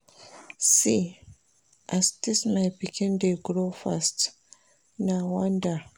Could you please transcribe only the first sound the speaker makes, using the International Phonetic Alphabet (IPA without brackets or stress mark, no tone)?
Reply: s